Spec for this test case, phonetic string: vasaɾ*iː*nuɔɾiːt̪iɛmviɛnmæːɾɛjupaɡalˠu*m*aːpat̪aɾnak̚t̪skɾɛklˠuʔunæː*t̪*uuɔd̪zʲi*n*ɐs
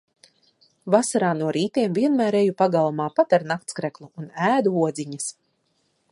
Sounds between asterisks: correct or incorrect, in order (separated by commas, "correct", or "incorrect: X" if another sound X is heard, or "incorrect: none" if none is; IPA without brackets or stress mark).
incorrect: aː, correct, incorrect: d̪, incorrect: ɲ